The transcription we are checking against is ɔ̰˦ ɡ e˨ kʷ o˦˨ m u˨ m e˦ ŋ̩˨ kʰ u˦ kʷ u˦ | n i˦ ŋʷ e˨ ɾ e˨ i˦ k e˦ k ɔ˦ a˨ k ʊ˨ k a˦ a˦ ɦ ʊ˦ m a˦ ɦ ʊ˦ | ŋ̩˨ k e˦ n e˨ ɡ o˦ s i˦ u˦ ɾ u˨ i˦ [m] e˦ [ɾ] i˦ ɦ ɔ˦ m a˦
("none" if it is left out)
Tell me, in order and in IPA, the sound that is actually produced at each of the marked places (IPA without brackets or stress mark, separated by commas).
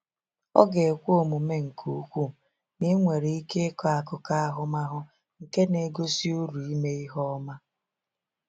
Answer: m, none